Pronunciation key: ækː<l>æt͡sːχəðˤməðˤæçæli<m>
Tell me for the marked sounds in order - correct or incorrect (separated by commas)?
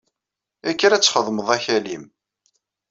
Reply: incorrect, correct